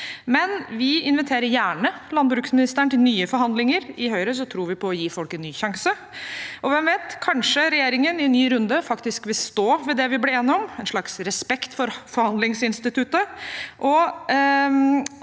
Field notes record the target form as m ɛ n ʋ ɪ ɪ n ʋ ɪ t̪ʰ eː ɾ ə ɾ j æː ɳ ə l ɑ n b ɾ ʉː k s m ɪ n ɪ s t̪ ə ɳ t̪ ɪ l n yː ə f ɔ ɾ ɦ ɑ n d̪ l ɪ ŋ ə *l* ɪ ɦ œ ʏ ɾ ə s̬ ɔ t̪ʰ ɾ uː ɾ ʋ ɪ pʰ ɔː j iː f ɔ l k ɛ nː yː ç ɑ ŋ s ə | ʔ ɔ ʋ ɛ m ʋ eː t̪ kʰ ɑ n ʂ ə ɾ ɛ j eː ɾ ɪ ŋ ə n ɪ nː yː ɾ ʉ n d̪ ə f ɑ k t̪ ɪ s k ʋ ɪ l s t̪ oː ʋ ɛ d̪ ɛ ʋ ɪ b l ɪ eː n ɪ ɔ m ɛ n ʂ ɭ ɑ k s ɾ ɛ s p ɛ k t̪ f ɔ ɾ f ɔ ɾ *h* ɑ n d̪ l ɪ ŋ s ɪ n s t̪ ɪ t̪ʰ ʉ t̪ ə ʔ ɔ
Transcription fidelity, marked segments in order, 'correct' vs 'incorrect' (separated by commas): incorrect, correct